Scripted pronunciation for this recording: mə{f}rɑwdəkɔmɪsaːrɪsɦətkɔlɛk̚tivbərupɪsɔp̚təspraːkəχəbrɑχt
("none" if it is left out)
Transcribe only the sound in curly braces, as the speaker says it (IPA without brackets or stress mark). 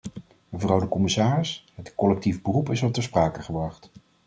v